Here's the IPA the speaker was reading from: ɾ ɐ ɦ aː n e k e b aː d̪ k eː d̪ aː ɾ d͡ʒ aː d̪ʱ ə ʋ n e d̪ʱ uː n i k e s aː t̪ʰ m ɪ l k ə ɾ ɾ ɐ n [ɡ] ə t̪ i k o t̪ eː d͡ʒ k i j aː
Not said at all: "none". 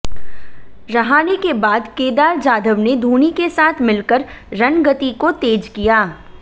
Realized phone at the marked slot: ɡ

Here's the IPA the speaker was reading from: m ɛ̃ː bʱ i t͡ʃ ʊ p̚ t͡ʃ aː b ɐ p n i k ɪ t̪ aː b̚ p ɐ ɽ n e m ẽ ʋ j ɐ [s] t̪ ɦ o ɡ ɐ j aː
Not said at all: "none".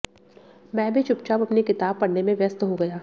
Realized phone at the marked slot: s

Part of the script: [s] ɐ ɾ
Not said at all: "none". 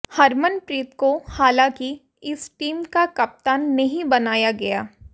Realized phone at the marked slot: h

